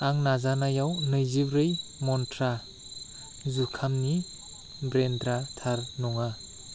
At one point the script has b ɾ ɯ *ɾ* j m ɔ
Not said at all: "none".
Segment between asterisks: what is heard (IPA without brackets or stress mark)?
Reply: none